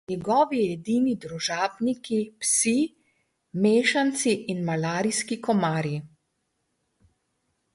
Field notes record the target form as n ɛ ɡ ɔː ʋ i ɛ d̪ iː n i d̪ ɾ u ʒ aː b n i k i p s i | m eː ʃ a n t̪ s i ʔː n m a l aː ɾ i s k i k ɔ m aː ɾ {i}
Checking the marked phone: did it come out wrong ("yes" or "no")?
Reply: no